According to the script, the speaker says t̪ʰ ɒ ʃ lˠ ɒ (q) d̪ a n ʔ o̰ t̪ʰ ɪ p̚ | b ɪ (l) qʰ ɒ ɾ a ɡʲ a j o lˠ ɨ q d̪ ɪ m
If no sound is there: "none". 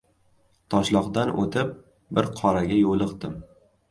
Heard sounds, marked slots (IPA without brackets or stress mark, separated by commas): q, ɾ